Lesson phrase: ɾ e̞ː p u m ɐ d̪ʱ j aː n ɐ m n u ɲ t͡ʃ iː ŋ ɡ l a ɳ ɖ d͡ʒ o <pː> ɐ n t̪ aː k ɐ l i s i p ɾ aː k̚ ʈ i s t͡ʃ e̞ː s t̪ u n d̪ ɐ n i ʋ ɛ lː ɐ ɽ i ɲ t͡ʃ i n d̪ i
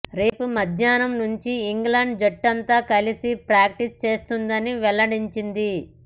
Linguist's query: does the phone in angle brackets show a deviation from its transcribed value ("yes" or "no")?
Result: yes